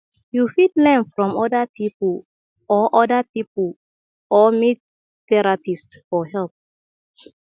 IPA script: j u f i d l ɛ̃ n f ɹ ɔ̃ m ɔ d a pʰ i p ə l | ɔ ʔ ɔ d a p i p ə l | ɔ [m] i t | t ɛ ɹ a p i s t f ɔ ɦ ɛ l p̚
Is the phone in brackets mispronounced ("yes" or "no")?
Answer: no